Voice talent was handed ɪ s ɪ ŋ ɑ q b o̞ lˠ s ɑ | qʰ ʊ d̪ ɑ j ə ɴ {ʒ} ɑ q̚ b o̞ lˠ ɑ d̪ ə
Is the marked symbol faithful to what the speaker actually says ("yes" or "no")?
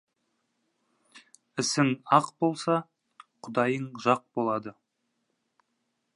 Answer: yes